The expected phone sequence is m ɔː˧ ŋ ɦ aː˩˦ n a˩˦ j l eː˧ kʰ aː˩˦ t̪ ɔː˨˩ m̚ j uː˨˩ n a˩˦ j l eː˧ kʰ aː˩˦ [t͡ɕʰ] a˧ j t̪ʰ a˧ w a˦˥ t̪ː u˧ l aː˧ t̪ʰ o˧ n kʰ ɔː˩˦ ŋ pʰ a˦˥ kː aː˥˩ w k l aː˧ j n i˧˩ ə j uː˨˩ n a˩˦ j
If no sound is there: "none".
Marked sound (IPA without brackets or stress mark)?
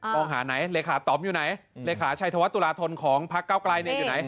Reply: t͡ɕʰ